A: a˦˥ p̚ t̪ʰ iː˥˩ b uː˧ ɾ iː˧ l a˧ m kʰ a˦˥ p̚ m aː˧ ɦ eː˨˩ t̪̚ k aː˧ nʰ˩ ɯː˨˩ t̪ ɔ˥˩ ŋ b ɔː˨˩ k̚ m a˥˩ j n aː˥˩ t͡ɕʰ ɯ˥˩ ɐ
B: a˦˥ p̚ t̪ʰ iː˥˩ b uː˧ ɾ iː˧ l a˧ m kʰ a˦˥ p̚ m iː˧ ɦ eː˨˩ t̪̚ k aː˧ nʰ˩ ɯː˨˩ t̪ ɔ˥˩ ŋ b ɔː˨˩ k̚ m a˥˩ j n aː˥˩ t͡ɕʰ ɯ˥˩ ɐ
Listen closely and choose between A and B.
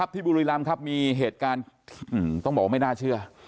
B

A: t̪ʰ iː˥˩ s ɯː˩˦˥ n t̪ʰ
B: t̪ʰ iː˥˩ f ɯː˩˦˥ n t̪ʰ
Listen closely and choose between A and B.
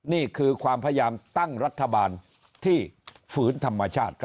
B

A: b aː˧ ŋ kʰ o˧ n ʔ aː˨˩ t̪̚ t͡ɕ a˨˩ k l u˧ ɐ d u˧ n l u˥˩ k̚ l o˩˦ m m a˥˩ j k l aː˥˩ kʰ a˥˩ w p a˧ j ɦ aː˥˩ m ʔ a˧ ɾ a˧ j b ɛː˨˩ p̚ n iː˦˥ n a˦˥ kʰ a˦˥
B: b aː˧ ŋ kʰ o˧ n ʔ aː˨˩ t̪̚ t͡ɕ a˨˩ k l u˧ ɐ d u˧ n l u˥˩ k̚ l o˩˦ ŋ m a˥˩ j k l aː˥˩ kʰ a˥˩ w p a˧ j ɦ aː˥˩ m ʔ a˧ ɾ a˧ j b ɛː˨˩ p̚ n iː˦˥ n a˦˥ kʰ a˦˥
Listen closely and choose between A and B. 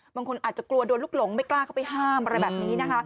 B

